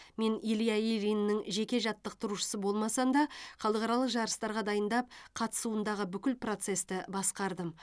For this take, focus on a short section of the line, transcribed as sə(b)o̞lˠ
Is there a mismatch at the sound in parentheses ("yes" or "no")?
no